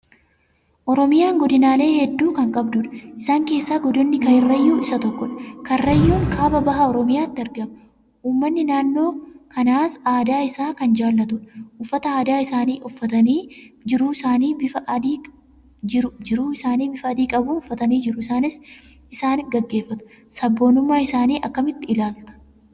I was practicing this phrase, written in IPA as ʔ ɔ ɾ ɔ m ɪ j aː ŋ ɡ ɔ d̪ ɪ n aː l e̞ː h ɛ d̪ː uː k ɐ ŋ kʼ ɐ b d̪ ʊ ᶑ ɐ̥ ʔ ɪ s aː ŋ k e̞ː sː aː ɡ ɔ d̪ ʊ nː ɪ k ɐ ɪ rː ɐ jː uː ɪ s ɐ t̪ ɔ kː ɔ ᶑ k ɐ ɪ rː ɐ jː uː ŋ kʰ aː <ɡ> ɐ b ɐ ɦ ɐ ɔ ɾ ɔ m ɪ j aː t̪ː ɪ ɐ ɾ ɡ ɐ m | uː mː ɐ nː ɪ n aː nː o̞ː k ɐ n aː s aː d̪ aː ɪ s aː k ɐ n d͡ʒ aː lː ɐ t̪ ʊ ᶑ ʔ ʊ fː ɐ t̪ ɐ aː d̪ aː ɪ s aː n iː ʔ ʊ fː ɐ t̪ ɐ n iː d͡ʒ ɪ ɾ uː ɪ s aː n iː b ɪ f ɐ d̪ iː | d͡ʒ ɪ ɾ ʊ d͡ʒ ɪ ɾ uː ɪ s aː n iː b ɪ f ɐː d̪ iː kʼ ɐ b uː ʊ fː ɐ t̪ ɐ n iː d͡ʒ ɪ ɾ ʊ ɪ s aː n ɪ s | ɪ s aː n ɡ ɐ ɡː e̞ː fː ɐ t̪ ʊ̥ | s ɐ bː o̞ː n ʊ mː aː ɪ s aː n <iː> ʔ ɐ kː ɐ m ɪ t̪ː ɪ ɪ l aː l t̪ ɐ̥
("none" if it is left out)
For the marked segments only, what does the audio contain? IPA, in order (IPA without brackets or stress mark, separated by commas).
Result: b, iː